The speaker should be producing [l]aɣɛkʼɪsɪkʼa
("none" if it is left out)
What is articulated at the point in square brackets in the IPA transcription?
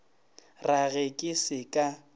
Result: r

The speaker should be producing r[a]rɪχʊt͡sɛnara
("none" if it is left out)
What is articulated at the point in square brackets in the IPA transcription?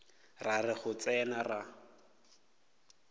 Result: a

